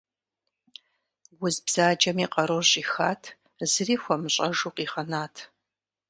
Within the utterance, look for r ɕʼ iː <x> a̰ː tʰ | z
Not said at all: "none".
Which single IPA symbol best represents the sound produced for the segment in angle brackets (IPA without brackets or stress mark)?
x